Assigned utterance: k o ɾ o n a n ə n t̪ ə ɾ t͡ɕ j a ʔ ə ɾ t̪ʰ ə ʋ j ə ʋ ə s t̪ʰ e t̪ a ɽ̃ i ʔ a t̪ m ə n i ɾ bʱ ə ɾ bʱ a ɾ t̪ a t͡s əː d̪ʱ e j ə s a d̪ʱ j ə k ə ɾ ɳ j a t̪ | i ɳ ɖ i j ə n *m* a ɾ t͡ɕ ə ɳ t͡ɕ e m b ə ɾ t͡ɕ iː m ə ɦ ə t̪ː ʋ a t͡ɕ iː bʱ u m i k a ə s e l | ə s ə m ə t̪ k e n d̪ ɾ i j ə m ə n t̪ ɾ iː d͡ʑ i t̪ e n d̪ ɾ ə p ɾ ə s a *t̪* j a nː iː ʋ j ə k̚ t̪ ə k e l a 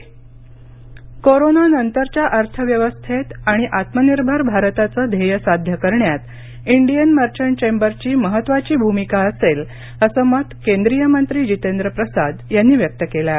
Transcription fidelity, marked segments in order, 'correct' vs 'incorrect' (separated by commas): correct, incorrect